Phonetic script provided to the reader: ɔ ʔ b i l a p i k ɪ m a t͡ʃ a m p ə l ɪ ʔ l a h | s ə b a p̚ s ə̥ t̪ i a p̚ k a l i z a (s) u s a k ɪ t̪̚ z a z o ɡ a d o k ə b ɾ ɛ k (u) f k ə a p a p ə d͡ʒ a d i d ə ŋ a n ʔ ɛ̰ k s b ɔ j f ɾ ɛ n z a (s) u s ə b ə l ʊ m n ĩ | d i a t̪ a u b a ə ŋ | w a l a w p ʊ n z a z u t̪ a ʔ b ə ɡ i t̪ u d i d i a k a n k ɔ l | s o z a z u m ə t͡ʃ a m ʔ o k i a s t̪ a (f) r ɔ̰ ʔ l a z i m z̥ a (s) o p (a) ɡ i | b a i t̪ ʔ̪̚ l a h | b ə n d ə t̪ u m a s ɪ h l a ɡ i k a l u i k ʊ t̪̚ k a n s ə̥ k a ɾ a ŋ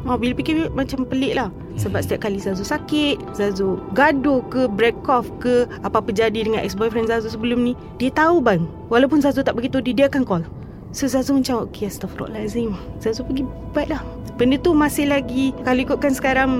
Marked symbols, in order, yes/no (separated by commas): no, no, no, yes, no, no